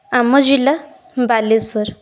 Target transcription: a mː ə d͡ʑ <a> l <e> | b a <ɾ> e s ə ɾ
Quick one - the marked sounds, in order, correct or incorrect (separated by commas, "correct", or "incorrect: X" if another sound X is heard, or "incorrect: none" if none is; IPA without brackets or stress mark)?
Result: incorrect: i, incorrect: a, incorrect: l